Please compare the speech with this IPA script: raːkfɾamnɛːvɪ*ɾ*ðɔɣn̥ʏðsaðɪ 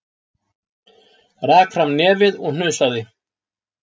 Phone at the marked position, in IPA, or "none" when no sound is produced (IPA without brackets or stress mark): none